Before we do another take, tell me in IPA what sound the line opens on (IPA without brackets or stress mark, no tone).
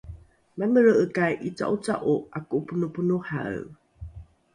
m